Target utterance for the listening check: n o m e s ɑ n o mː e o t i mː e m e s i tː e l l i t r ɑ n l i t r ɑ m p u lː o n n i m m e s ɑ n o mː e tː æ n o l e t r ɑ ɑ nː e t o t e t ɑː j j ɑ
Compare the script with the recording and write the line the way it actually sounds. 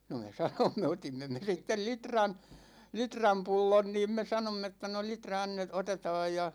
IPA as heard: n o m e s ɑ n o mː e o t i mː e m e s i tː e l l i t r ɑ n l i t r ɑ m p u lː o n n iː m m e s ɑ n o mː e tː æ n o l i t r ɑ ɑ nː e t o t e t ɑː j j ɑ